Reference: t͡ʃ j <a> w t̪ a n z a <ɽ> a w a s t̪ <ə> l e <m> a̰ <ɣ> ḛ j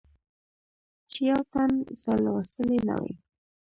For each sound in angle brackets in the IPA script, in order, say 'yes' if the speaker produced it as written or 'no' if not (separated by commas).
yes, no, yes, no, no